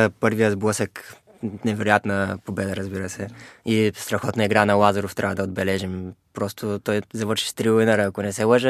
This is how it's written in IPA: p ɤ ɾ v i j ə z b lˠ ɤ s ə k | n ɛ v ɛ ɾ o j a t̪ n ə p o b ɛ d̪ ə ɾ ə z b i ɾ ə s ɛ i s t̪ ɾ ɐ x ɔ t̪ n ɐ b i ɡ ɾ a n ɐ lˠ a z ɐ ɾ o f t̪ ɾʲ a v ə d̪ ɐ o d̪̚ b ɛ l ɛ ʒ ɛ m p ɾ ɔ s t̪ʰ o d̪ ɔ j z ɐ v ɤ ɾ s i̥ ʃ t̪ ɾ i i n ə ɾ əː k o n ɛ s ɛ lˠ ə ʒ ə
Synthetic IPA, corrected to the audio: p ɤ ɾ v i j ə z b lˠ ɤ s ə k | n ɛ v ɛ ɾ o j a t̪ n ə p o b ɛ d̪ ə ɾ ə z b i ɾ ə s ɛ i s t̪ ɾ ɐ x ɔ t̪ n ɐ i ɡ ɾ a n ɐ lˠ a z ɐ ɾ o f t̪ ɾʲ a v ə d̪ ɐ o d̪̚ b ɛ l ɛ ʒ i m p ɾ ɔ s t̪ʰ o t̪ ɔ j z ɐ v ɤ ɾ ʃ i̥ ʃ t̪ ɾ i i n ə ɾ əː k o n ɛ s ɛ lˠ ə ʒ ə